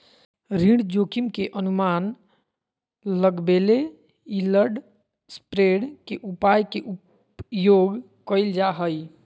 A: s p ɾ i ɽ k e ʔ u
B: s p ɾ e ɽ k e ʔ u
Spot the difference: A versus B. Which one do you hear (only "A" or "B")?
B